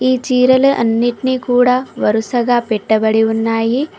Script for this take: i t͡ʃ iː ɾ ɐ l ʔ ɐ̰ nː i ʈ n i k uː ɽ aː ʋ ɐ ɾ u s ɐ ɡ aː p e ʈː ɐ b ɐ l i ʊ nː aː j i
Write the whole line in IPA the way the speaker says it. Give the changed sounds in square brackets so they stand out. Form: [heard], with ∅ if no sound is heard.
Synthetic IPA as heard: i t͡ʃ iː ɾ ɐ l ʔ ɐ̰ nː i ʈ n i k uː ɽ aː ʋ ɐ ɾ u s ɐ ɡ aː p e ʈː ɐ b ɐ [ɽ] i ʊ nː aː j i